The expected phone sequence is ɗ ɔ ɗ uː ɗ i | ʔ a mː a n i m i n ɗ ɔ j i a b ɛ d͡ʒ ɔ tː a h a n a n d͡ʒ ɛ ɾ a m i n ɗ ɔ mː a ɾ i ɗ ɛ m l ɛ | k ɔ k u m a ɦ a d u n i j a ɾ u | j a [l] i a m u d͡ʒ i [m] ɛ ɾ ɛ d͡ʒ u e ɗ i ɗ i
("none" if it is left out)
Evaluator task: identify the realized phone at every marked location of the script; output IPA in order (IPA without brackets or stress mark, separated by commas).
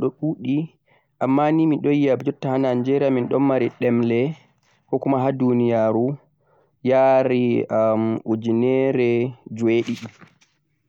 ɾ, n